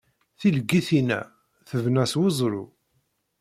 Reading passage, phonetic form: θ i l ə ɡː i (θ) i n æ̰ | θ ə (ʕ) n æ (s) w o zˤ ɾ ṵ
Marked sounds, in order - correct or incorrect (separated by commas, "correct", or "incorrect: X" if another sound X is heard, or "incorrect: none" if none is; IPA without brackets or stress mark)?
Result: correct, incorrect: v, correct